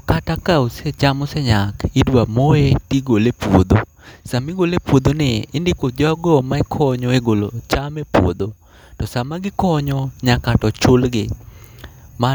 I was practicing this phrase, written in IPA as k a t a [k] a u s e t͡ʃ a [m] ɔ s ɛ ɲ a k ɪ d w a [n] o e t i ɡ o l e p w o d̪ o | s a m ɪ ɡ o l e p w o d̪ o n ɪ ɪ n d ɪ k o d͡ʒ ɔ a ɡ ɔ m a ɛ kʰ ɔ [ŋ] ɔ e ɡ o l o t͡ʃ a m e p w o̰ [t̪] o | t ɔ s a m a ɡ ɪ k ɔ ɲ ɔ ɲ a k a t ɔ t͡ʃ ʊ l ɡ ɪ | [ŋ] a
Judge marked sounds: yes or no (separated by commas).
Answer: yes, yes, no, no, no, no